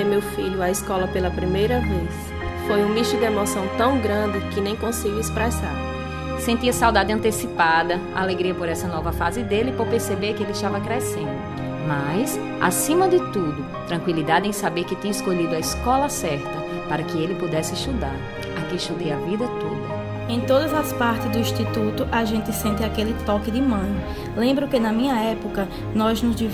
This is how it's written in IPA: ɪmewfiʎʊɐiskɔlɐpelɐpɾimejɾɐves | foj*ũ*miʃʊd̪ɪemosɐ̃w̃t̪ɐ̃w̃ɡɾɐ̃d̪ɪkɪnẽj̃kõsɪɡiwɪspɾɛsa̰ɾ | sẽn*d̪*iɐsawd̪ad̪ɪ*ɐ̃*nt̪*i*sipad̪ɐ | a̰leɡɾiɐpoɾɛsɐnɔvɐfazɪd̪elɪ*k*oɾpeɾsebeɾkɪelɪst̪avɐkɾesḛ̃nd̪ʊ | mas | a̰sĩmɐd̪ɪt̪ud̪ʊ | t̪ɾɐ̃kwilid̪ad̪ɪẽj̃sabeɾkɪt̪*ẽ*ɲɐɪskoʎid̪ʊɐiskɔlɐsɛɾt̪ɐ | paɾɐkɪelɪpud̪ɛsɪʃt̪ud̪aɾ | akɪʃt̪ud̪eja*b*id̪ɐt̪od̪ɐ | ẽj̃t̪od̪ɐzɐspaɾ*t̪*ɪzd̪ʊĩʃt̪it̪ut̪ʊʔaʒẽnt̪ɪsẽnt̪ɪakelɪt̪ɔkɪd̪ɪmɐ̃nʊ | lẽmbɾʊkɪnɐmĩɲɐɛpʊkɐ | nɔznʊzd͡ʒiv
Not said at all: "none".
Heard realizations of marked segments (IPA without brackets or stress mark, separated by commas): ũ, t̪, ɐ̃, e, p, ĩ, v, t̪